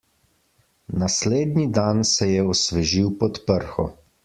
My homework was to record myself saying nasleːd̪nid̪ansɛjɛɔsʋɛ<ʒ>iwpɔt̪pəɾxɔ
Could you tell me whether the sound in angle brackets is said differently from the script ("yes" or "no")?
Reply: no